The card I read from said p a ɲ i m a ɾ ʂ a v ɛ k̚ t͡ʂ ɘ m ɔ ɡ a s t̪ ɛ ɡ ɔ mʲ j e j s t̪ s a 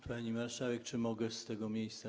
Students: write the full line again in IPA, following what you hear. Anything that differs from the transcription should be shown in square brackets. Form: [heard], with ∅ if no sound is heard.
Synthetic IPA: p a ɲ i m a ɾ ʂ a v ɛ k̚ t͡ʂ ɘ m ɔ ɡ [ɛ] s t̪ ɛ ɡ ɔ mʲ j e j s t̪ s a